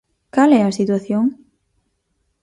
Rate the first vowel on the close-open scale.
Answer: open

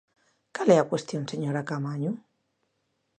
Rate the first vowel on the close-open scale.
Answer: open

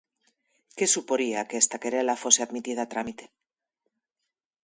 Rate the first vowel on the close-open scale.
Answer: mid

